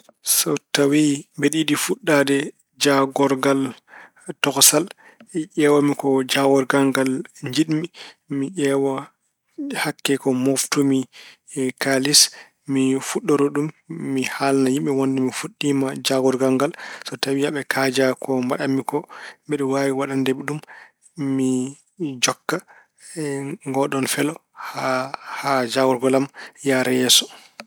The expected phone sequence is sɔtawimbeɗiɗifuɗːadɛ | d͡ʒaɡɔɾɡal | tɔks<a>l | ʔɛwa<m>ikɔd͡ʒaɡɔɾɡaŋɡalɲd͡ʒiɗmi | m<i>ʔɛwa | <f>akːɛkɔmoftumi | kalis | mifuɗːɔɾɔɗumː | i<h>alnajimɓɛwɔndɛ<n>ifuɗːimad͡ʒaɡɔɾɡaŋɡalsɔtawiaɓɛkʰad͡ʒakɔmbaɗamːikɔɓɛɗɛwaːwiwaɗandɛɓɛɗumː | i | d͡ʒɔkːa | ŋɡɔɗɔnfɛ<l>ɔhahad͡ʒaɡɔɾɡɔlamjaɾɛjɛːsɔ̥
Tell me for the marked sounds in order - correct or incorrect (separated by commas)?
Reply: correct, correct, correct, incorrect, correct, incorrect, correct